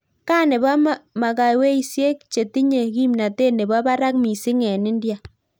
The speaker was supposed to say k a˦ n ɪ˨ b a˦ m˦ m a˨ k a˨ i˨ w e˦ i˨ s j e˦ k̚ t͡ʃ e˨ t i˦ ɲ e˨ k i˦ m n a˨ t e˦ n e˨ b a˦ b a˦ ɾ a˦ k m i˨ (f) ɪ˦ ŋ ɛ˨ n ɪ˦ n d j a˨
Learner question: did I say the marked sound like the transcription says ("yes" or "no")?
no